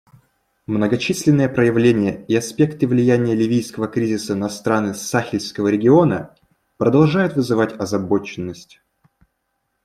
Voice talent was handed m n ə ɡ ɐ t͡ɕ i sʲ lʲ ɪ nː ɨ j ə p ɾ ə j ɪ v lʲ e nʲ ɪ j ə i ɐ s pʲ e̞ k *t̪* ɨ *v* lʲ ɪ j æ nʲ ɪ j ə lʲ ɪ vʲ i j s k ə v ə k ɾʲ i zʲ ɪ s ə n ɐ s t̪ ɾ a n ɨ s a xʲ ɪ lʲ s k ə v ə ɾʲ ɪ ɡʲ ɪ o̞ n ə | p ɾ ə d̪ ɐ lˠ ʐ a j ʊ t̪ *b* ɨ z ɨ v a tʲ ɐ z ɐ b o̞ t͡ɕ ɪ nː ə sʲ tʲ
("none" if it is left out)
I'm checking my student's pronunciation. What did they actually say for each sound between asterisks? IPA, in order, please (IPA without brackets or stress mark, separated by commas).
t̪, v, v